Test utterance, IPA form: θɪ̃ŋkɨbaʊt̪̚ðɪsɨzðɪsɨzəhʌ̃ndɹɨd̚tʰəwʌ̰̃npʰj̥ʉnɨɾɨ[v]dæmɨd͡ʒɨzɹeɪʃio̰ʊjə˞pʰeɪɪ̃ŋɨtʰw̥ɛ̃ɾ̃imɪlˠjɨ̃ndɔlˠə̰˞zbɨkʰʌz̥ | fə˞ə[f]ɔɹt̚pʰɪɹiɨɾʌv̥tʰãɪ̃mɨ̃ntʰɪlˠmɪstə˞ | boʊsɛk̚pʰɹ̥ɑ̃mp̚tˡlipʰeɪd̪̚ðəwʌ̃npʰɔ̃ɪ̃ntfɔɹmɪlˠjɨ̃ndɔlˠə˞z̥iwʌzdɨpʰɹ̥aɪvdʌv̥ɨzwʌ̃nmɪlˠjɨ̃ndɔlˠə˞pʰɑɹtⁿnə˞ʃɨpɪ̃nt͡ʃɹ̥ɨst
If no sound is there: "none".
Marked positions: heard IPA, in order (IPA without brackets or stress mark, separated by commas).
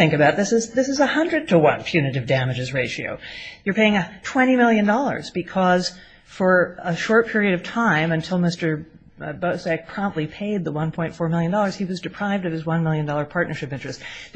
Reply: v, ʃ